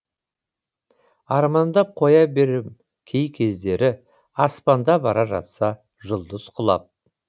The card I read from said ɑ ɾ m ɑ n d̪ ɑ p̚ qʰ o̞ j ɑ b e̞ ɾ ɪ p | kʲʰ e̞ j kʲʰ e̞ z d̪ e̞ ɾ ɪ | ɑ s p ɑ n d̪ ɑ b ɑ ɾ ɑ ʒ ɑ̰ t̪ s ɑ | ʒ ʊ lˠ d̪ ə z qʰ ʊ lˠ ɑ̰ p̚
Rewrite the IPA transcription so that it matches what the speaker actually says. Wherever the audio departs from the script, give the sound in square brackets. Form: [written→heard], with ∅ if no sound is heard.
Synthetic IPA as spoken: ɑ ɾ m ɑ n d̪ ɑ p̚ qʰ o̞ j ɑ b e̞ ɾ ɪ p | kʲʰ e̞ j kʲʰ e̞ z d̪ e̞ ɾ ɪ | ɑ s p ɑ n d̪ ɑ b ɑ ɾ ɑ ʒ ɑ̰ t̪ s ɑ | ʒ ʊ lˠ d̪ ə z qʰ ʊ lˠ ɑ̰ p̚